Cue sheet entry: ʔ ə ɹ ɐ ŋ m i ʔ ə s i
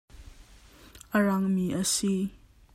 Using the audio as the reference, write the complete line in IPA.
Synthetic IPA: ʔ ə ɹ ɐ ŋ m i ʔ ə s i